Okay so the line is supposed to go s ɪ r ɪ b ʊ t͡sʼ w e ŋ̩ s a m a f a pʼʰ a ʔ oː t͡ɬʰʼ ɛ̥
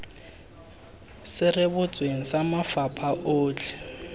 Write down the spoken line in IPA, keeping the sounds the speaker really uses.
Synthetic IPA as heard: s ɪ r ɪ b ʊ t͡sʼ w e ŋ̩ s a m a f a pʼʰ a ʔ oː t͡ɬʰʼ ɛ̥